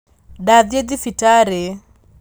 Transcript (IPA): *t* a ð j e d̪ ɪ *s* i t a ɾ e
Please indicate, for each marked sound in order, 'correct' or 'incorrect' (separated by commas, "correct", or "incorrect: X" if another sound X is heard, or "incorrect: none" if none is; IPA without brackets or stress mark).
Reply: incorrect: d, incorrect: f